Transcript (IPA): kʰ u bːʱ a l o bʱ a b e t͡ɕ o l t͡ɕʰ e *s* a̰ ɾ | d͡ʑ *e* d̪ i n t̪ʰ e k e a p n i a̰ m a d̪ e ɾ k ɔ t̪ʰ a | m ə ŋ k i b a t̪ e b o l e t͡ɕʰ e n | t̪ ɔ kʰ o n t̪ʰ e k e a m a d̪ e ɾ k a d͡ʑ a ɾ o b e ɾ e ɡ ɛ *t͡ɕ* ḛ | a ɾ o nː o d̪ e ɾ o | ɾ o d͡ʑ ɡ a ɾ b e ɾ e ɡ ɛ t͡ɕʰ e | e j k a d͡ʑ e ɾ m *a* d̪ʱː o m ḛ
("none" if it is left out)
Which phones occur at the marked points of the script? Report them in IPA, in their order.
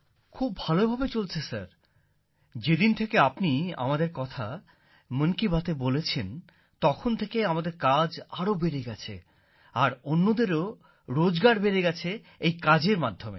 s, e, t͡ɕʰ, a

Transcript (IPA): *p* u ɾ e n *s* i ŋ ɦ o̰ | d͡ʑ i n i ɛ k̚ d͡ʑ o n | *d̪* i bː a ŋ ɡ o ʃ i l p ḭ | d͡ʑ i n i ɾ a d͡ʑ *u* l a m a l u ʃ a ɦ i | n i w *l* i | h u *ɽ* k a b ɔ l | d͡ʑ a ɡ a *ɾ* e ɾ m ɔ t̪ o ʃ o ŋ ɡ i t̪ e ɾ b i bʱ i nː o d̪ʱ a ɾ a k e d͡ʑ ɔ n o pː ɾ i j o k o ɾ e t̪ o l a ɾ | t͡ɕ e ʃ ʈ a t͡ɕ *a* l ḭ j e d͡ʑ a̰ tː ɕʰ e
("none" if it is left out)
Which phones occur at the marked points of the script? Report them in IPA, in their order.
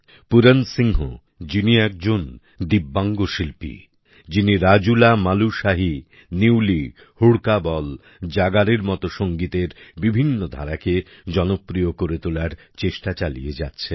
p, s, d̪, u, l, ɽ, ɾ, a

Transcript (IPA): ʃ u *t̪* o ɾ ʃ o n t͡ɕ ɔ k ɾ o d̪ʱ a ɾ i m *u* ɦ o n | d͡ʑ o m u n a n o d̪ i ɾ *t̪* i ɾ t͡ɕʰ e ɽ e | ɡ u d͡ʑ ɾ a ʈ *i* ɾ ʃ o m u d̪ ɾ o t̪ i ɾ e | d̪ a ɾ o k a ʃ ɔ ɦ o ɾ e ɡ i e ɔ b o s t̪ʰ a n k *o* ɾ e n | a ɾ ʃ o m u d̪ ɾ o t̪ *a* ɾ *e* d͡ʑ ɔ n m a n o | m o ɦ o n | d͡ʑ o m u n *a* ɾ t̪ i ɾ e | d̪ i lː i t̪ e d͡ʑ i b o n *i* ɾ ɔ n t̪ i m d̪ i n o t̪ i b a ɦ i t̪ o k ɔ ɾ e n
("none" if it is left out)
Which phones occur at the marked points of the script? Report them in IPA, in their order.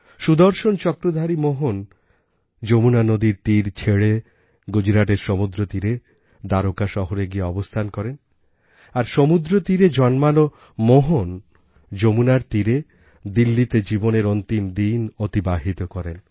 d̪, o, t̪, e, ɔ, i, e, a, e

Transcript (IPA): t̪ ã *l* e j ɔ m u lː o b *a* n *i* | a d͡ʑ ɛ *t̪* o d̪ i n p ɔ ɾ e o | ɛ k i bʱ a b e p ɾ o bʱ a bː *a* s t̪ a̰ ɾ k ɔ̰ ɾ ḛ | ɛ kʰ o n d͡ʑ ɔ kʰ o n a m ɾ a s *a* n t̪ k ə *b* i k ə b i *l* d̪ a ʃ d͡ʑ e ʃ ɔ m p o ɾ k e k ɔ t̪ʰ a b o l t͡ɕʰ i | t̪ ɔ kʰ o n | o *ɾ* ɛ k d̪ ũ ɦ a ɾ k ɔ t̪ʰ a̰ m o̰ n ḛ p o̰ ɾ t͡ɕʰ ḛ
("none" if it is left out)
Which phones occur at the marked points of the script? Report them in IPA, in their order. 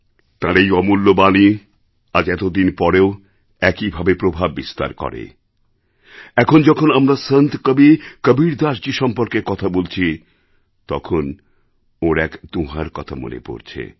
ɾ, a, i, t̪, i, ə, b, ɾ, ɾ

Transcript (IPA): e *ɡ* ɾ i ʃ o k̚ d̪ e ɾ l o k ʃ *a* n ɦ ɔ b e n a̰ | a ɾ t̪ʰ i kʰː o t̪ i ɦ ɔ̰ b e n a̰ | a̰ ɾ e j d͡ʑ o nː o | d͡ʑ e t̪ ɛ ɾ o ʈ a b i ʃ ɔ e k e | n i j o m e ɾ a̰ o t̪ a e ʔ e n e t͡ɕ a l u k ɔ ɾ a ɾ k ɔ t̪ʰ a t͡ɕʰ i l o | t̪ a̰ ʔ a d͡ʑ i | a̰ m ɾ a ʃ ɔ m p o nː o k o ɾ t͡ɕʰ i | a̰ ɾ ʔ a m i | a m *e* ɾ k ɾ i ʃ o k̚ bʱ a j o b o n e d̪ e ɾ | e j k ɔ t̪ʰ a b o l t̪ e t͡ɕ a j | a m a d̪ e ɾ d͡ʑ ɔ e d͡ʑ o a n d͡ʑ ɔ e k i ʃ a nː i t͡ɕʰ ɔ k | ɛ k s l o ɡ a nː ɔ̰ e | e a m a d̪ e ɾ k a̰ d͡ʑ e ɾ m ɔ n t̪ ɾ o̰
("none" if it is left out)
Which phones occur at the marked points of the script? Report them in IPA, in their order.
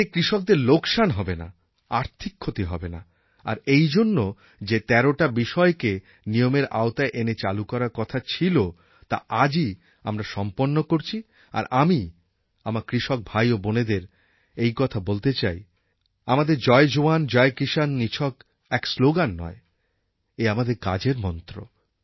k, a, a

